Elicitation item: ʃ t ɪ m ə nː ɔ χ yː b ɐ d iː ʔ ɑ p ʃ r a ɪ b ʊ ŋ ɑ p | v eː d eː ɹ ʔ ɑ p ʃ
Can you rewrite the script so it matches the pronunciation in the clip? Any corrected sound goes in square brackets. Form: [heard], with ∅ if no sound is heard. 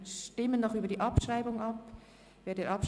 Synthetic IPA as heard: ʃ t ɪ m ə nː ɔ χ yː b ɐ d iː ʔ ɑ p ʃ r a ɪ b ʊ ŋ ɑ p | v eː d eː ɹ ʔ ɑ p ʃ

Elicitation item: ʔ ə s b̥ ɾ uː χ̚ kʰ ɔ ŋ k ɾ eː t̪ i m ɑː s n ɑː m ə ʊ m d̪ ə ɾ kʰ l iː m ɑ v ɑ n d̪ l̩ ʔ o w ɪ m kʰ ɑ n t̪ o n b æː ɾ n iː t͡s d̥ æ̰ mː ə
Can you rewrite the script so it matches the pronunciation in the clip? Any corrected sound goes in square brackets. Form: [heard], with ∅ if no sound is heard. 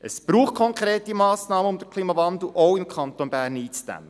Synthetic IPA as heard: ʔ ə s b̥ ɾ uː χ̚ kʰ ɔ ŋ k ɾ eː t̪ i m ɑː s n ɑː m ə ʊ m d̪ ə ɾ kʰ l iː m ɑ v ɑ n d̪ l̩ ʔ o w ɪ m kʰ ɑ n t̪ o n b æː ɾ n iː t͡s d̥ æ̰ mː ə

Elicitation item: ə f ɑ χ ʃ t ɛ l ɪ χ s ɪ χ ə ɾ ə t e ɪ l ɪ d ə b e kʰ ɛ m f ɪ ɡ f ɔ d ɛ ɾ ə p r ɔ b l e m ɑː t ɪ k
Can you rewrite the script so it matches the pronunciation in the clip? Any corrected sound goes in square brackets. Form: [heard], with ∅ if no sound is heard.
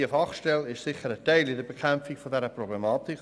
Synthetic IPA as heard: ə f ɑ χ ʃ t ɛ l ɪ [ʃ] s ɪ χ ə ɾ ə t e ɪ l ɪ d ə b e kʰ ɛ m f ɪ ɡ f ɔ d ɛ ɾ ə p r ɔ b l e m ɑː t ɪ k

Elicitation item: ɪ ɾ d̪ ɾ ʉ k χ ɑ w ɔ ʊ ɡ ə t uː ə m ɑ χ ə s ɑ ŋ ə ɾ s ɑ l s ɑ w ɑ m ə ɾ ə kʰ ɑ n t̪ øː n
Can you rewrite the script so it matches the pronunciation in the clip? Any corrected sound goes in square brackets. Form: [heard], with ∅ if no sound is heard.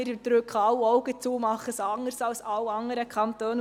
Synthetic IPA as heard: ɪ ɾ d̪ ɾ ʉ k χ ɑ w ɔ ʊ ɡ ə [t͡s] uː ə m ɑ χ ə s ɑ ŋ ə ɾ s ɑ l s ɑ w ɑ [ŋ] ə ɾ ə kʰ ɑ n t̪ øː n

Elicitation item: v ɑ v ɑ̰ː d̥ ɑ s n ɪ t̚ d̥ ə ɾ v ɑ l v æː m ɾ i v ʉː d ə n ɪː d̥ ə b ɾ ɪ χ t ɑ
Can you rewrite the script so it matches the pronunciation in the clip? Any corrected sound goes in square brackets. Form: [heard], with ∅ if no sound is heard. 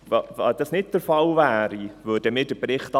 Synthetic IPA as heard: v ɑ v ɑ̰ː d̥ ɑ s n ɪ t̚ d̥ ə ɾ [f] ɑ l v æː [∅] ɾ i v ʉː d ə [m] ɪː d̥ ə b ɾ ɪ χ t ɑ

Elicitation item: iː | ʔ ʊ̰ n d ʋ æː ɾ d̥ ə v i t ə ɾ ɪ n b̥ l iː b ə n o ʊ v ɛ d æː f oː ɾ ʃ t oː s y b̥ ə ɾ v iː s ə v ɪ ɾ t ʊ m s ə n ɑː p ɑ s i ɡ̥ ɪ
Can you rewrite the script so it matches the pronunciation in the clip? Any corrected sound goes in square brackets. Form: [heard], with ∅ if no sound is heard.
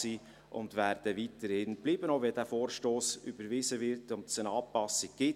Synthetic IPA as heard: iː | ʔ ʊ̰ n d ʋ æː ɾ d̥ ə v i t ə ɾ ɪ n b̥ l iː b ə n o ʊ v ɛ d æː f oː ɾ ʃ t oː s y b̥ ə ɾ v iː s ə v ɪ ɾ t ʊ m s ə n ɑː p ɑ s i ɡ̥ ɪ

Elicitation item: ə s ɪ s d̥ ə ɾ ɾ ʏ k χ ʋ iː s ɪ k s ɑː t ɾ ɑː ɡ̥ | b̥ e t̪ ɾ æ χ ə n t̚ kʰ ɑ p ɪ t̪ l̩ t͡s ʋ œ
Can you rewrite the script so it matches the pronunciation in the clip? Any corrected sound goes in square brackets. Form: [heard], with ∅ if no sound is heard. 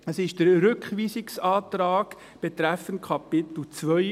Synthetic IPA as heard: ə s ɪ [ʃ] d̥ ə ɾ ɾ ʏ k χ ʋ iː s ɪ k s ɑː t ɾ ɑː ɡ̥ | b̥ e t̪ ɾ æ [f] ə n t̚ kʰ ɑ p ɪ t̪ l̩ t͡s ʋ œ

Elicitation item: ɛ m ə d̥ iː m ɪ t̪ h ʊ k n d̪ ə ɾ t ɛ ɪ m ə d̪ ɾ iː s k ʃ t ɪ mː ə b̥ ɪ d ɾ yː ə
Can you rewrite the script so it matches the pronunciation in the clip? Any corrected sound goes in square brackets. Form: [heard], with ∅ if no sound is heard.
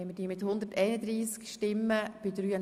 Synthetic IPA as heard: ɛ m ə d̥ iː m ɪ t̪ h ʊ [∅] n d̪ ə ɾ t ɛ ɪ [n] ə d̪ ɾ iː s k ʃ t ɪ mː ə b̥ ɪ d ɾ yː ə

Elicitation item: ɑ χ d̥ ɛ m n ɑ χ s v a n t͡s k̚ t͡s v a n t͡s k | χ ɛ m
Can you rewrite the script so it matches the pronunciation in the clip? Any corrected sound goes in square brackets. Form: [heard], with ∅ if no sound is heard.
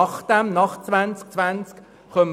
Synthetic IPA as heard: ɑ χ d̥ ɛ m n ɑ χ [t͡s] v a n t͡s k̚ t͡s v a n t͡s k | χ [œ] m

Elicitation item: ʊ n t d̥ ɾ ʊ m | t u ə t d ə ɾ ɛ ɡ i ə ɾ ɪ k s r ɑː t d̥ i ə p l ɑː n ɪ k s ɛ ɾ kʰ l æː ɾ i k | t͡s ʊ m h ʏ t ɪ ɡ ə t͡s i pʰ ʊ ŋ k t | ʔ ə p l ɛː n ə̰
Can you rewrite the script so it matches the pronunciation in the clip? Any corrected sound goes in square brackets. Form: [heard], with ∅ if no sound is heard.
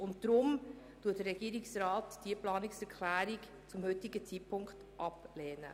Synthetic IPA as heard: ʊ n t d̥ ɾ ʊ m | t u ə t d ə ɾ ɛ ɡ i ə ɾ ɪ k s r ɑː t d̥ i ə p l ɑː n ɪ k s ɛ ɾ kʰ l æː ɾ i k | t͡s ʊ m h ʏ t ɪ ɡ ə t͡s i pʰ ʊ ŋ k t | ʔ [ɑ] p l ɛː n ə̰

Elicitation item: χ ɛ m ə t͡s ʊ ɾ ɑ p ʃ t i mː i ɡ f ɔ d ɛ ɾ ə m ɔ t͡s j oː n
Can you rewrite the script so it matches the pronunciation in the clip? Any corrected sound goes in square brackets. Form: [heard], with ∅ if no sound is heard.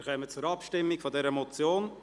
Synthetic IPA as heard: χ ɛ m ə t͡s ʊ ɾ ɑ p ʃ t [ɪ] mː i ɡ f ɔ d ɛ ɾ ə m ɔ t͡s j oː n

